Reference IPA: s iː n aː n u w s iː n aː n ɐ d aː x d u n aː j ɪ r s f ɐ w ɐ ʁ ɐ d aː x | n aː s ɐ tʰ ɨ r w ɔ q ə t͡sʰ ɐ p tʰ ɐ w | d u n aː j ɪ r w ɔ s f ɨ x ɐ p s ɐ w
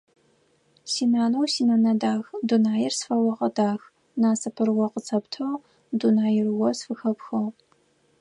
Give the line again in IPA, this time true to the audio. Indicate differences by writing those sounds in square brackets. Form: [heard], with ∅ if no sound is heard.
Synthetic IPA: s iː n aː n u w s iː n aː n ɐ d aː x d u n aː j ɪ r s f ɐ w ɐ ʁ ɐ d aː x | n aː s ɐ [pʰ] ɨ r w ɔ q ə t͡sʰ ɐ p tʰ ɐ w | d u n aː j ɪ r w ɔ s f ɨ x ɐ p [x] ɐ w